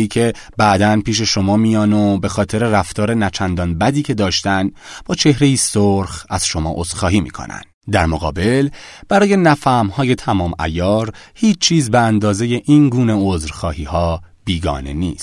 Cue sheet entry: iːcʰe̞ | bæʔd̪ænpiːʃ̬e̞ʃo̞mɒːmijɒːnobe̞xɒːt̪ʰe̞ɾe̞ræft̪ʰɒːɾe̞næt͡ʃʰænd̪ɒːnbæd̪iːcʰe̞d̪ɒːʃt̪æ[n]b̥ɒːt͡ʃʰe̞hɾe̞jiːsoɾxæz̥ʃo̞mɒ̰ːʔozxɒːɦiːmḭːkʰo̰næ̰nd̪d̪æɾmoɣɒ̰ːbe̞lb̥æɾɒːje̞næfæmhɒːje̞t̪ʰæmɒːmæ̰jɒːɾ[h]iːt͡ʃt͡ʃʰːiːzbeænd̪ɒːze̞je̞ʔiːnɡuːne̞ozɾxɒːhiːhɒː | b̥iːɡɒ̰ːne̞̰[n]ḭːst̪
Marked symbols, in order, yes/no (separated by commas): yes, yes, yes